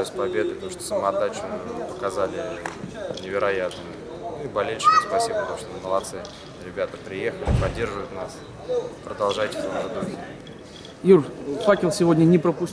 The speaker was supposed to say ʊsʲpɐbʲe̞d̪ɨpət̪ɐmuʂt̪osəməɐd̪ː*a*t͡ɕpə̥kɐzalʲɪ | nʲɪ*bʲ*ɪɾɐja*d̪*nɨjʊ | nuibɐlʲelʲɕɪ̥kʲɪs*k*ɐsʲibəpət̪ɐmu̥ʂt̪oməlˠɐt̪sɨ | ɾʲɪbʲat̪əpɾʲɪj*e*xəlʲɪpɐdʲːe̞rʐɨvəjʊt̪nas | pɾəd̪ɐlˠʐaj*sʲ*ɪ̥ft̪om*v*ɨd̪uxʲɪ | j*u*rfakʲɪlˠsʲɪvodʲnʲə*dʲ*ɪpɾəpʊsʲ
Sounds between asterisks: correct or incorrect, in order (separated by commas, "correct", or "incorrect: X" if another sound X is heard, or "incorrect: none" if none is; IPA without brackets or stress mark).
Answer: correct, incorrect: vʲ, incorrect: t̪, incorrect: p, correct, incorrect: tʲ, incorrect: ʐ, correct, incorrect: nʲ